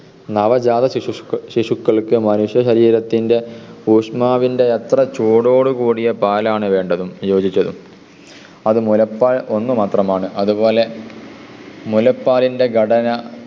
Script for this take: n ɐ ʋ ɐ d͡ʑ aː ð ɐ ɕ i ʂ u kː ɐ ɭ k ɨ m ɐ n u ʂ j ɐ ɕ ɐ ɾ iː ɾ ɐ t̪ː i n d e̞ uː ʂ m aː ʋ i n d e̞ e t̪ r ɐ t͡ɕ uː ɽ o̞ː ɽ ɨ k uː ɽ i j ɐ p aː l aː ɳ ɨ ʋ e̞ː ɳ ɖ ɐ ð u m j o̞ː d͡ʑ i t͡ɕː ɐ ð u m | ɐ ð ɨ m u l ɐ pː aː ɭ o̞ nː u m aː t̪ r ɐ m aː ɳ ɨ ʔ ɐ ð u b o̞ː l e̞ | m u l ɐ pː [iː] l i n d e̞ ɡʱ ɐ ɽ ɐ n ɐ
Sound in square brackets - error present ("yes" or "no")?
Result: yes